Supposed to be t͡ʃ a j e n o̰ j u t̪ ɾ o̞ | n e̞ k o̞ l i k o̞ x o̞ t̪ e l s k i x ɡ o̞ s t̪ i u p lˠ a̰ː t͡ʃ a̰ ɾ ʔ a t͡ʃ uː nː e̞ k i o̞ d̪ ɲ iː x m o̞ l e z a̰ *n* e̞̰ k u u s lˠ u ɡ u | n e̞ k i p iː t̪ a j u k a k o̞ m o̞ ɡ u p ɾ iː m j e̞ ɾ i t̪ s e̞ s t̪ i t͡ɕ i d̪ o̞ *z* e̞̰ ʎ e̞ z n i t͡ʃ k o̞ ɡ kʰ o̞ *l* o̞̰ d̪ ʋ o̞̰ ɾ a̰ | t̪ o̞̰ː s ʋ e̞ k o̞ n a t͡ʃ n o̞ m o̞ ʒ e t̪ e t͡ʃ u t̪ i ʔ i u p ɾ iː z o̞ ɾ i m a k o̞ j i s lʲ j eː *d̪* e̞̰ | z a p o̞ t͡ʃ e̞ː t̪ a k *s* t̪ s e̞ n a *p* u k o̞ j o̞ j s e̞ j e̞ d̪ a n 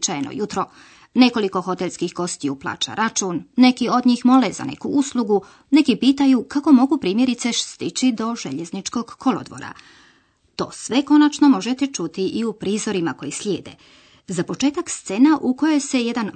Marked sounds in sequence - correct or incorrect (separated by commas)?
correct, incorrect, correct, correct, correct, incorrect